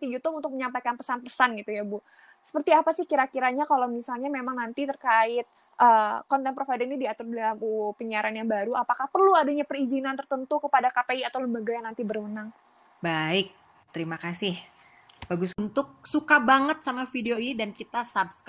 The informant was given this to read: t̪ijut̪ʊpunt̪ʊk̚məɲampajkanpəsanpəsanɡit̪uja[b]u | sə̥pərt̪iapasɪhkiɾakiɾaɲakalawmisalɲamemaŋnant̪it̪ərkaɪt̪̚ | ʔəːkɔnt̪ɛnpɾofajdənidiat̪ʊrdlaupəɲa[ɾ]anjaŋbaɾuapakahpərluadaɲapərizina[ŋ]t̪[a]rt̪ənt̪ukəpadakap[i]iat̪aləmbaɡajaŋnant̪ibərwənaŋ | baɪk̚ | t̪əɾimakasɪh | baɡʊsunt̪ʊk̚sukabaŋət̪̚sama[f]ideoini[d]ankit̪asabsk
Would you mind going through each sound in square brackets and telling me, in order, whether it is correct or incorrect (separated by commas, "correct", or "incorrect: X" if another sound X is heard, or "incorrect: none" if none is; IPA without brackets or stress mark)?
correct, correct, incorrect: n, incorrect: ə, incorrect: e, correct, correct